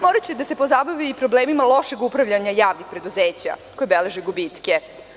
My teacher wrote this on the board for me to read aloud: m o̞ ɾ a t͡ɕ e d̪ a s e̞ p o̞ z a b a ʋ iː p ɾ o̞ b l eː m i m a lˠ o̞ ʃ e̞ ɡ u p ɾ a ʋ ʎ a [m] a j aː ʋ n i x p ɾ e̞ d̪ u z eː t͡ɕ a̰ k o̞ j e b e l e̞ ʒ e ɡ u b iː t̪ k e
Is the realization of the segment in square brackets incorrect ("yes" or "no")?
yes